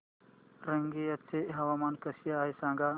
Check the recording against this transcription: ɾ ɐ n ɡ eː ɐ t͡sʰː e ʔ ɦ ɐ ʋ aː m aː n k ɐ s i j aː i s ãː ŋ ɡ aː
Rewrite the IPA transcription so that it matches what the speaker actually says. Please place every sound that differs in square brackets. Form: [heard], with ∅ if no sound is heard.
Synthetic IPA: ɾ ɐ [ŋ] ɡ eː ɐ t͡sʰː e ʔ ɦ ɐ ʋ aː m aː n k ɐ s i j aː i s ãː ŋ ɡ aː